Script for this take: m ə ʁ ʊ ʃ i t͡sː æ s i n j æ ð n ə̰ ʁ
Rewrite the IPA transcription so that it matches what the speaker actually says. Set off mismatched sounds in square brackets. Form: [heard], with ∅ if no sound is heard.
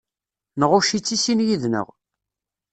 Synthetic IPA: [n] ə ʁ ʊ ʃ i t͡sː [i] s i n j [i] ð n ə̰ ʁ